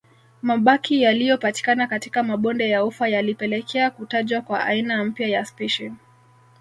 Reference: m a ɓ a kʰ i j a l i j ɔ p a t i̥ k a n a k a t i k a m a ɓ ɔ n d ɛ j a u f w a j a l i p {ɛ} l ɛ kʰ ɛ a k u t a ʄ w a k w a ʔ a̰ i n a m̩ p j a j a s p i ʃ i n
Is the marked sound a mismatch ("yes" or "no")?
no